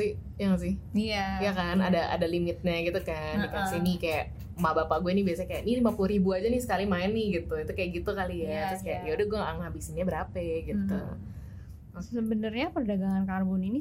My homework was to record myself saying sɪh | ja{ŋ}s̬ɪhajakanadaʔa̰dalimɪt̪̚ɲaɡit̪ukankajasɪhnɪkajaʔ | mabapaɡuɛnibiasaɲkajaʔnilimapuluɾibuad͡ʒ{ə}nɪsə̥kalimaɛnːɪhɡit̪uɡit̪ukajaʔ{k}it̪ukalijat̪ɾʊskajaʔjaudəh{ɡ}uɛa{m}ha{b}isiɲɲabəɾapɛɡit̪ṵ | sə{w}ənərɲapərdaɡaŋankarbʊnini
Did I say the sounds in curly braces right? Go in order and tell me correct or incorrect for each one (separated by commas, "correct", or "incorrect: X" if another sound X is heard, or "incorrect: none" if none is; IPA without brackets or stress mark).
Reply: correct, incorrect: a, incorrect: ɡ, correct, incorrect: ŋ, correct, incorrect: b